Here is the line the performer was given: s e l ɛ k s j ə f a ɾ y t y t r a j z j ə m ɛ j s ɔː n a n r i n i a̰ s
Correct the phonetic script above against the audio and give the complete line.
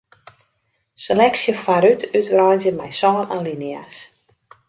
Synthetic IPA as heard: s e l ɛ k s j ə f a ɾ y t y t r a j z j ə m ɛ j s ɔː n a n l i n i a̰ s